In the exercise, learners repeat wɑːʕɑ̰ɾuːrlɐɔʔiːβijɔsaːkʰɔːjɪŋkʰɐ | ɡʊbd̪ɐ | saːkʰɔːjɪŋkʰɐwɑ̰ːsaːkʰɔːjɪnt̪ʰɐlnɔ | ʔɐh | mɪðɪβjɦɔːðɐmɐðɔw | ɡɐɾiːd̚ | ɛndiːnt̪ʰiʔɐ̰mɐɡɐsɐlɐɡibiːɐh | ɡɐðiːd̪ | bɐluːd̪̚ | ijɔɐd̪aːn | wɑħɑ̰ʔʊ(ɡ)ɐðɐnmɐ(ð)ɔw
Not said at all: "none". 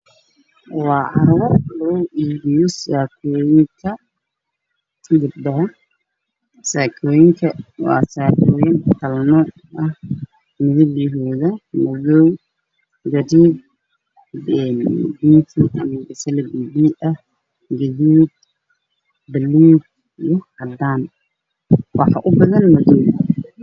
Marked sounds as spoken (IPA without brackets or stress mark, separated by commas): b, ð